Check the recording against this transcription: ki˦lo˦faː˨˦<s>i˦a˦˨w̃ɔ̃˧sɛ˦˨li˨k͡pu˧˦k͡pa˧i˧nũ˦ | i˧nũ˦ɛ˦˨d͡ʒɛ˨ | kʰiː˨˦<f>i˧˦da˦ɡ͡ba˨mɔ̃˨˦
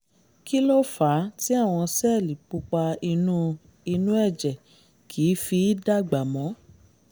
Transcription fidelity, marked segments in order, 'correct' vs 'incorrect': incorrect: t, correct

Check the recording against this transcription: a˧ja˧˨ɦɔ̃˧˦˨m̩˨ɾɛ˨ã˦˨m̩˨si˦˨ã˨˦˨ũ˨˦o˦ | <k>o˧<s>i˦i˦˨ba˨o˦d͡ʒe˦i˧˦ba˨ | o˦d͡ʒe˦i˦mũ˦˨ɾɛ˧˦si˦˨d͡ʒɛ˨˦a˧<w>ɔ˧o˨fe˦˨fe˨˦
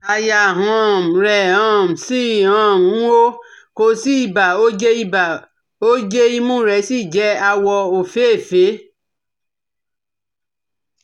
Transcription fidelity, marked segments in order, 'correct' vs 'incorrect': correct, correct, correct

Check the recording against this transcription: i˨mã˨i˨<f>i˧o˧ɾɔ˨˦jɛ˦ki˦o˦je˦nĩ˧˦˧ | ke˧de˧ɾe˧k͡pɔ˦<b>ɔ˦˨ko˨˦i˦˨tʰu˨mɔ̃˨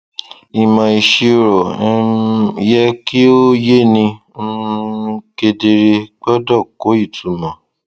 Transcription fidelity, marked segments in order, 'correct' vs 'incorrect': incorrect: ʃ, incorrect: d

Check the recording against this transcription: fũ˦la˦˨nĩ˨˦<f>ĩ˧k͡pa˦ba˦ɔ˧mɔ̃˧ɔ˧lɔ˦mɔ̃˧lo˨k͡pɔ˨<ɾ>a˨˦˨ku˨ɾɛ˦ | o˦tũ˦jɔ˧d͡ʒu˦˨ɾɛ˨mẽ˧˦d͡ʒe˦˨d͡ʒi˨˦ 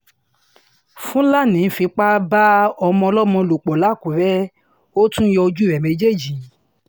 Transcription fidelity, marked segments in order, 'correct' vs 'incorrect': correct, incorrect: l

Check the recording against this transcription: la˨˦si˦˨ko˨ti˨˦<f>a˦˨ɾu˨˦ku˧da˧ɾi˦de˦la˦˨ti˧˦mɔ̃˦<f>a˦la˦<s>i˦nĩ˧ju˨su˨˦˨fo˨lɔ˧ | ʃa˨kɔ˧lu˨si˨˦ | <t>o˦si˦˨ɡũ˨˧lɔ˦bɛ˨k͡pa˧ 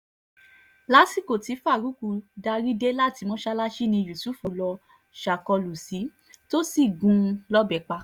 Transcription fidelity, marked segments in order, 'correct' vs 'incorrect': correct, incorrect: ʃ, incorrect: ʃ, correct

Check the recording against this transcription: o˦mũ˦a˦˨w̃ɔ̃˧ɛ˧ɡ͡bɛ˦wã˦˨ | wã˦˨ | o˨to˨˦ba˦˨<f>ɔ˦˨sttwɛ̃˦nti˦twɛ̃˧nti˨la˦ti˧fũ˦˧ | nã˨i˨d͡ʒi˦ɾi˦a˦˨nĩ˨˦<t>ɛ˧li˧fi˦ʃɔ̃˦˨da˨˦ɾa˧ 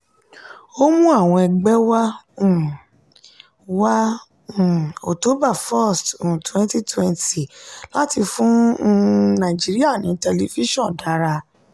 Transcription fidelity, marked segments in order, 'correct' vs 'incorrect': correct, correct

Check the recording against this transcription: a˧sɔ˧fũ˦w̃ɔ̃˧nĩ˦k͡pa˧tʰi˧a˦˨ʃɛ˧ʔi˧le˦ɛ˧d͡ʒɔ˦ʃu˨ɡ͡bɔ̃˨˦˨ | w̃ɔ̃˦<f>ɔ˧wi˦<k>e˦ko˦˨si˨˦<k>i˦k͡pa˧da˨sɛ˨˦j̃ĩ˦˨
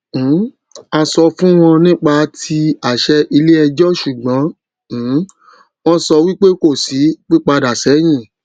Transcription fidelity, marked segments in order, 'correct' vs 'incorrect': incorrect: s, incorrect: k͡p, incorrect: k͡p

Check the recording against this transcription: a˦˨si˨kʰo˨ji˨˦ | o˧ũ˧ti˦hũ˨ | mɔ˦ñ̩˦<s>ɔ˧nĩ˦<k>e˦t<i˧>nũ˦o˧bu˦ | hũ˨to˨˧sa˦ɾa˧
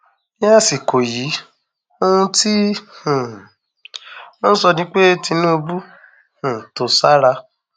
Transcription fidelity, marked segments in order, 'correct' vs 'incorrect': correct, incorrect: k͡p, correct

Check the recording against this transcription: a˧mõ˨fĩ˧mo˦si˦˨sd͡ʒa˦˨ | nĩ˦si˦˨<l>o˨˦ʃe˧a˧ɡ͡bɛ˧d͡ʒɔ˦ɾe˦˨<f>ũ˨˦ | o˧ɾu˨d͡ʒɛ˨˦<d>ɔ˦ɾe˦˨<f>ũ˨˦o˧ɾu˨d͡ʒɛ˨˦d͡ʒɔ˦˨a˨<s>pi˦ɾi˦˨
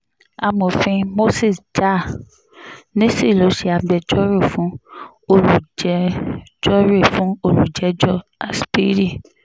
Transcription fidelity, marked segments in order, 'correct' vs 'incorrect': correct, correct, incorrect: d͡ʒ, correct, correct

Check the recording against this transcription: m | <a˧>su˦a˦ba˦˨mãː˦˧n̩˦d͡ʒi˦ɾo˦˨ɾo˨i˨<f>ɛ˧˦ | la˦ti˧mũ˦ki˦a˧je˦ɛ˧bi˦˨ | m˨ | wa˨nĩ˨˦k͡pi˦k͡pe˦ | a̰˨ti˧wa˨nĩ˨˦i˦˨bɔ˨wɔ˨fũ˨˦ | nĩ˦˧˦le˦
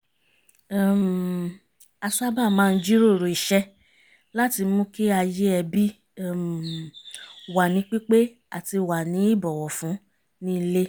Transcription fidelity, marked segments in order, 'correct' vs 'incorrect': correct, incorrect: ʃ

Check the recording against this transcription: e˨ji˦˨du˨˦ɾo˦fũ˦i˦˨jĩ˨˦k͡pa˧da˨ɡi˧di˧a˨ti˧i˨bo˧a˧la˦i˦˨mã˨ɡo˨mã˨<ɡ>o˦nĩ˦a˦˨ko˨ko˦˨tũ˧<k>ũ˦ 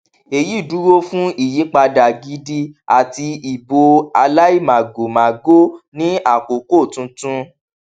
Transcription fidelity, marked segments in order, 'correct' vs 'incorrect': correct, incorrect: t

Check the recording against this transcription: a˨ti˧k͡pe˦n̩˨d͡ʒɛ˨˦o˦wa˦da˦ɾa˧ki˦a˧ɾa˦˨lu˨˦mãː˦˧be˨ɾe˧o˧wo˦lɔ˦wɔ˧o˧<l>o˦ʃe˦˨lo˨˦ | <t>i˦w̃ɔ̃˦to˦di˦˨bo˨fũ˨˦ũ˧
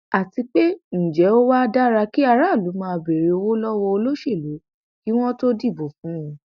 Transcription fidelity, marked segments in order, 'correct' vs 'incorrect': correct, incorrect: k

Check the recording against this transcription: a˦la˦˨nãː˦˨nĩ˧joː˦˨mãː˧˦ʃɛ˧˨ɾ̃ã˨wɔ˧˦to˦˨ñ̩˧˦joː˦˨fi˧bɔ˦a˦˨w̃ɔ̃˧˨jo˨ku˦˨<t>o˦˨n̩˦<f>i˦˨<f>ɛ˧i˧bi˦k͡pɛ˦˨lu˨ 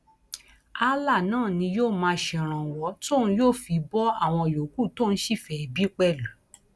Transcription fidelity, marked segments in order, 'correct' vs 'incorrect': correct, incorrect: ʃ, correct

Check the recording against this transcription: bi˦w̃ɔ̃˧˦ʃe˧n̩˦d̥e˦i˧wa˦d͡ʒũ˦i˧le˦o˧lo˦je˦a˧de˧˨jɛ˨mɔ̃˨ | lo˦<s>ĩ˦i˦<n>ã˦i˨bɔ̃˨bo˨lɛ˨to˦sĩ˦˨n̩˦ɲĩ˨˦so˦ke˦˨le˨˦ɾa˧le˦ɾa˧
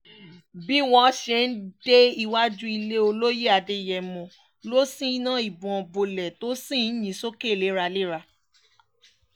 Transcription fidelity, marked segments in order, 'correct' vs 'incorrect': correct, correct

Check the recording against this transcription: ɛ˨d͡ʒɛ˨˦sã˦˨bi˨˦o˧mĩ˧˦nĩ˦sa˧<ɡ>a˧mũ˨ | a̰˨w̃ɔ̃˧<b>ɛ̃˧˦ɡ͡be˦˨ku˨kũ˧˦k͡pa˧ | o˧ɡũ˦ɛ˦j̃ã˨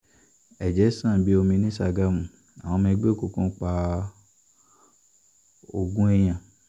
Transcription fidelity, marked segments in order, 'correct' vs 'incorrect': correct, incorrect: m

